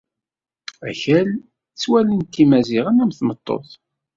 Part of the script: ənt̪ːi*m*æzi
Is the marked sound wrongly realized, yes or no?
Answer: no